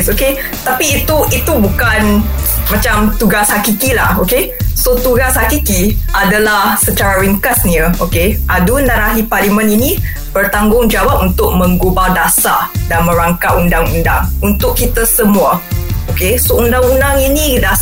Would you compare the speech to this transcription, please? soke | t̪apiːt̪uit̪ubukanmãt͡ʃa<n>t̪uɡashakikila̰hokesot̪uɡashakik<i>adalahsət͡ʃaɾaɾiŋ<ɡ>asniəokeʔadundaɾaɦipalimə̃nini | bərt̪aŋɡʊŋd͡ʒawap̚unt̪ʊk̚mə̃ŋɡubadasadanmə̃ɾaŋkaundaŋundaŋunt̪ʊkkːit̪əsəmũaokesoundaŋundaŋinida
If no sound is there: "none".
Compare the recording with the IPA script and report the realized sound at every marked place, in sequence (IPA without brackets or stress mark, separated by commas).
m, i, k